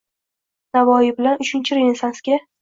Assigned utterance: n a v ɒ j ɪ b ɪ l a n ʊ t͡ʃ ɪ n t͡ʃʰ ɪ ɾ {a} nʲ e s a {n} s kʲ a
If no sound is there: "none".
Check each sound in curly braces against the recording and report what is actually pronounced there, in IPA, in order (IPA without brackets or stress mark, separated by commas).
e, n